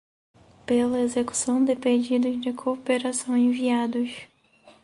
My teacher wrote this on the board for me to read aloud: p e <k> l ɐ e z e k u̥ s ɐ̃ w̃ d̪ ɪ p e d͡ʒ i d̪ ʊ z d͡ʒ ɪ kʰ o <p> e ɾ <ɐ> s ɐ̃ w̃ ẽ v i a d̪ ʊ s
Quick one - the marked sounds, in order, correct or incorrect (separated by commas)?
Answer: incorrect, correct, incorrect